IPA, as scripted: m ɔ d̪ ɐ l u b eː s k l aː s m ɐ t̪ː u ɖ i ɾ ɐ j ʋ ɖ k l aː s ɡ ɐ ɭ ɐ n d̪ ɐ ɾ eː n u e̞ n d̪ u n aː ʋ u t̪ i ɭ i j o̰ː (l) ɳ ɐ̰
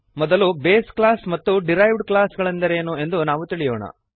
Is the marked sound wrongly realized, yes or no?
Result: yes